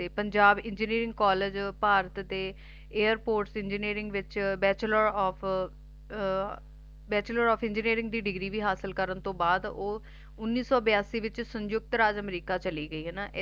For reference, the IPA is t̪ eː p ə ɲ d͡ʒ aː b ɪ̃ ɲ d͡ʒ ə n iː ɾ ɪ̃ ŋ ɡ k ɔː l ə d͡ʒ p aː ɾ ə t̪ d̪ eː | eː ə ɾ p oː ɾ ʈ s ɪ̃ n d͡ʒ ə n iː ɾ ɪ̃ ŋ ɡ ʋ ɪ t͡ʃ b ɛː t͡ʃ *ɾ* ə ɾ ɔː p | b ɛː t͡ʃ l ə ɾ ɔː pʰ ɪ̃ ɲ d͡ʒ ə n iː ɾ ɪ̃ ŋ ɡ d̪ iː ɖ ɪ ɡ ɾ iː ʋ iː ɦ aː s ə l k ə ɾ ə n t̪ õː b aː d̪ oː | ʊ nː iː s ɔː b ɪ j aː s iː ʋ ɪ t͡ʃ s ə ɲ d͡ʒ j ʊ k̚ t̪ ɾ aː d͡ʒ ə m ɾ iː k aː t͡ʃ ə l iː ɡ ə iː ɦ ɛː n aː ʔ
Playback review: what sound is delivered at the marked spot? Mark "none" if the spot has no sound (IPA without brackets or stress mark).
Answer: l